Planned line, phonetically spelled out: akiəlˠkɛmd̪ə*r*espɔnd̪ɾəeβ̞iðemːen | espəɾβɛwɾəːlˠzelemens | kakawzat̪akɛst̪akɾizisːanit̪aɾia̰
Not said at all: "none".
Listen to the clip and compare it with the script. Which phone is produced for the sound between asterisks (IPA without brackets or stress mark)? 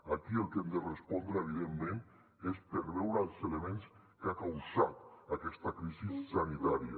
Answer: r